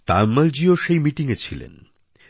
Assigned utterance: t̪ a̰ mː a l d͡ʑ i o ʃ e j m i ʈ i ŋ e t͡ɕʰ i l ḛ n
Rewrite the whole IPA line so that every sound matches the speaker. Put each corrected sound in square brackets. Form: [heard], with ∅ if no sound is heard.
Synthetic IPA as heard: t̪ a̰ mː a l d͡ʑ i o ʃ e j m i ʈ i ŋ e t͡ɕʰ i l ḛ n